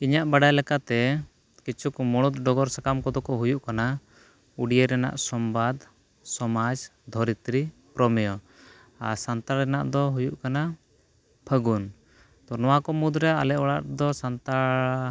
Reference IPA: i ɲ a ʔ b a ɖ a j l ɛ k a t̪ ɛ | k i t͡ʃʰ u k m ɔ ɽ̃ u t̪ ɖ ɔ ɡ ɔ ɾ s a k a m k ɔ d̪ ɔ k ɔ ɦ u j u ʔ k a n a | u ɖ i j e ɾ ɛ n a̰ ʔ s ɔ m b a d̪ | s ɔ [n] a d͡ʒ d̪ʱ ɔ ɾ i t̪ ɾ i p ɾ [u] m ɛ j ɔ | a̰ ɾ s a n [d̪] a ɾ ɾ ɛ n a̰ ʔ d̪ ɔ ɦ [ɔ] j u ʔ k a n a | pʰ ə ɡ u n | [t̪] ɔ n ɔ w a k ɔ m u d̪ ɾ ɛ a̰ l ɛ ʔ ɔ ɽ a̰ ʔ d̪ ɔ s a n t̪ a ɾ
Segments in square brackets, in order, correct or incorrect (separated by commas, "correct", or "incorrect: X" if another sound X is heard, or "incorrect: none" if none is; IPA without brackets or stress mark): incorrect: m, incorrect: ɔ, incorrect: t̪, incorrect: u, correct